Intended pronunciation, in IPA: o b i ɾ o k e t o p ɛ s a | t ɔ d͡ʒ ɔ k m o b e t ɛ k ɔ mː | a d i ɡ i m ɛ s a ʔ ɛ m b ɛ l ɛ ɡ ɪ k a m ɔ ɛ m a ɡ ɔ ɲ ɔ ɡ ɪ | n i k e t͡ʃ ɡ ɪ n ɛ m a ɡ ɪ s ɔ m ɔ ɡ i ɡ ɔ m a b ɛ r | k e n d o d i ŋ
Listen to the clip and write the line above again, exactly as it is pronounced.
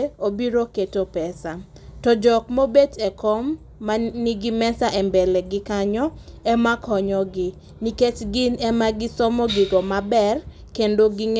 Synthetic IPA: o b i ɾ o k e t o p ɛ s a | t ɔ d͡ʒ ɔ k m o b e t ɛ k ɔ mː | a n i ɡ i m ɛ s a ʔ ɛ m b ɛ l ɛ ɡ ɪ k a ɲ ɔ ɛ m a k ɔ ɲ ɔ ɡ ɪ | n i k e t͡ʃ ɡ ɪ n ɛ m a ɡ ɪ s ɔ m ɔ ɡ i ɡ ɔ m a b ɛ r | k e n d o ɡ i ŋ